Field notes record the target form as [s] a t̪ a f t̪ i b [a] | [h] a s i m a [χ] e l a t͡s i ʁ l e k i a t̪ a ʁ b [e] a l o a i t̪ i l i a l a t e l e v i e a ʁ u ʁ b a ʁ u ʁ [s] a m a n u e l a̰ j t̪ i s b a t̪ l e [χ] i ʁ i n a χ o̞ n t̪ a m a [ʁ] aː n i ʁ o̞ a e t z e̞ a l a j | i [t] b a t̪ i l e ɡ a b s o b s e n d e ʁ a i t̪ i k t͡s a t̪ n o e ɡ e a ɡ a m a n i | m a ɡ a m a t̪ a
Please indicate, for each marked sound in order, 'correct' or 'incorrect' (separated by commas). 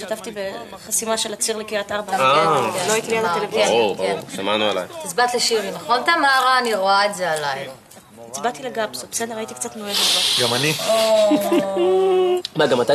incorrect, incorrect, incorrect, incorrect, incorrect, incorrect, incorrect, correct, incorrect